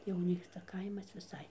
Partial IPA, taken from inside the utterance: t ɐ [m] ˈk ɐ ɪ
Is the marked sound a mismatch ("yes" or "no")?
yes